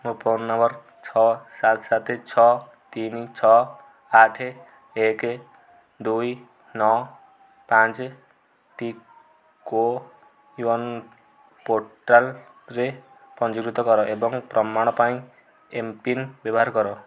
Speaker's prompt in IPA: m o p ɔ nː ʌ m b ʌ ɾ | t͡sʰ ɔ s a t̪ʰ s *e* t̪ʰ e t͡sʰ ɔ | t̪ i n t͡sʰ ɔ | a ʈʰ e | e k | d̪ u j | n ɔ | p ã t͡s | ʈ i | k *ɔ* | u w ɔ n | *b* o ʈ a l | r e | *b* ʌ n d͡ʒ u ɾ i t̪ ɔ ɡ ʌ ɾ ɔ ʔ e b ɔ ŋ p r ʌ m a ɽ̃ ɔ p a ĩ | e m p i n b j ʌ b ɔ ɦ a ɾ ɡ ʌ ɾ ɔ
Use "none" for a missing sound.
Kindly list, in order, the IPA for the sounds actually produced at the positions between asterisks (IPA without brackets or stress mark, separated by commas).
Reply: a, o, p, p